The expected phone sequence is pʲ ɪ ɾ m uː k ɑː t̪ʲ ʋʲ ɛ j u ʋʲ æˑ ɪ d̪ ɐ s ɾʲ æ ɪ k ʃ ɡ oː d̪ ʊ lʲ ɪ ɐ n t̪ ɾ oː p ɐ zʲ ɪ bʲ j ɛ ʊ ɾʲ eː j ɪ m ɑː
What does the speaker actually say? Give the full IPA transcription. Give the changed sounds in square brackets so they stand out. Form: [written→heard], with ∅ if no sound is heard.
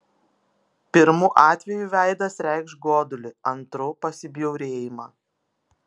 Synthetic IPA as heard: pʲ ɪ ɾ m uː [k→ʔ] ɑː t̪ʲ ʋʲ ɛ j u ʋʲ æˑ ɪ d̪ ɐ s ɾʲ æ ɪ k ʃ ɡ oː d̪ ʊ lʲ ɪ ɐ n t̪ ɾ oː p ɐ [zʲ→sʲ] ɪ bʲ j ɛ ʊ ɾʲ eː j ɪ m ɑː